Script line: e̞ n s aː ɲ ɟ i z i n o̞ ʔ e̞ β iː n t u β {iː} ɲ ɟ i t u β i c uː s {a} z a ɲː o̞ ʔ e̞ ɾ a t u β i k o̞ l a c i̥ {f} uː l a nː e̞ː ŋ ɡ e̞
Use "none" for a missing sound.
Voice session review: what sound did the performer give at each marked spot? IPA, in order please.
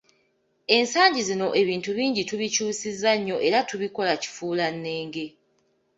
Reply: iː, i, f

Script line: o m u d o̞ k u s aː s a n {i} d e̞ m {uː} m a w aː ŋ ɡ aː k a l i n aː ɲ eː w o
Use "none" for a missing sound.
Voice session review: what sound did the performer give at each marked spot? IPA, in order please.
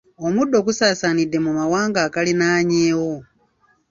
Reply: i, u

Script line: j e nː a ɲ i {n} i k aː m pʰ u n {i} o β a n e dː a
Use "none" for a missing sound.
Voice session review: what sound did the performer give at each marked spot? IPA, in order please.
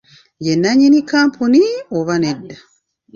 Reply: n, i

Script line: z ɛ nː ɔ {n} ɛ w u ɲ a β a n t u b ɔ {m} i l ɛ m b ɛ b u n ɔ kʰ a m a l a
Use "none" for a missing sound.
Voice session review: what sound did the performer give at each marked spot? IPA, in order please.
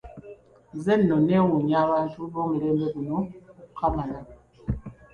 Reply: n, m

